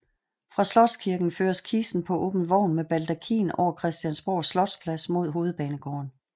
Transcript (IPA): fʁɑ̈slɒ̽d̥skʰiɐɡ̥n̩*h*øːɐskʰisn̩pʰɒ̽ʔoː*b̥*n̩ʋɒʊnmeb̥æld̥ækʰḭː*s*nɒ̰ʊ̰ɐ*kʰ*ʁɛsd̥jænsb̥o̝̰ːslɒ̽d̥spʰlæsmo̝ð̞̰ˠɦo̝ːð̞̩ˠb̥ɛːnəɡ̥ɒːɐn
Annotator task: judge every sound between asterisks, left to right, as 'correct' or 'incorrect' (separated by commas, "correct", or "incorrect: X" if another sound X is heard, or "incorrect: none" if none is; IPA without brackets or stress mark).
incorrect: f, correct, incorrect: none, correct